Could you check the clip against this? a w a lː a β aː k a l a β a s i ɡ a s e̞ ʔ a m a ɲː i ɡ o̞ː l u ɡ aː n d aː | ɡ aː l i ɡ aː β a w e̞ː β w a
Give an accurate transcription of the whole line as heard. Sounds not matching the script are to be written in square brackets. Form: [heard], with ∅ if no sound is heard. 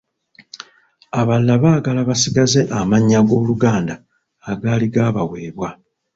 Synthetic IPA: a [β] a lː a β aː [ɡ] a l a β a s i ɡ a [z] e̞ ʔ a m a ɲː [a] ɡ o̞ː l u ɡ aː n d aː | ɡ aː l i ɡ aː β a w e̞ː β w a